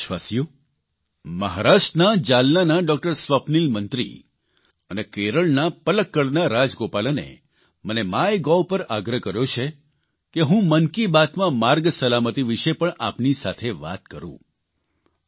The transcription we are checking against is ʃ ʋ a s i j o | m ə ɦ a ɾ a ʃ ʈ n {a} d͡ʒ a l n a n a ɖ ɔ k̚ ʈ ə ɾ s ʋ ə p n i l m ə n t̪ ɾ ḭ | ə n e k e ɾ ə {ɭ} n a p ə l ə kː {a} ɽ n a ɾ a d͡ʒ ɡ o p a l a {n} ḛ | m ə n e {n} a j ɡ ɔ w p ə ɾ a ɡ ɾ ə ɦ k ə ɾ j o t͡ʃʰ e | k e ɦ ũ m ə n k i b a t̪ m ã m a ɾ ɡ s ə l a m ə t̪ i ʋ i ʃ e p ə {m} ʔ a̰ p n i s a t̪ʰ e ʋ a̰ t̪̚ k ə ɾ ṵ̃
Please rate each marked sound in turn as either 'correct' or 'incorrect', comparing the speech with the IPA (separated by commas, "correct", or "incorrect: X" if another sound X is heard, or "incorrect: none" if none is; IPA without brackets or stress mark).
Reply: correct, correct, incorrect: ə, correct, incorrect: m, incorrect: ɳ